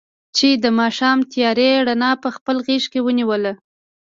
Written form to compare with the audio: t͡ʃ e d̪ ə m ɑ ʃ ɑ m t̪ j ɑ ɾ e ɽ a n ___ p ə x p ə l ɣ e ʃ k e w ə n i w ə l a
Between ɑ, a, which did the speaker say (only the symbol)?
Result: ɑ